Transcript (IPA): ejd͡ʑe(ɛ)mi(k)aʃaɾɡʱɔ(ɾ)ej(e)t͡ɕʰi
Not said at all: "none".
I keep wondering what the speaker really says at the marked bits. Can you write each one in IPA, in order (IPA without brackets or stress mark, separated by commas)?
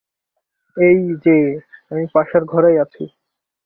a, p, ɾ, a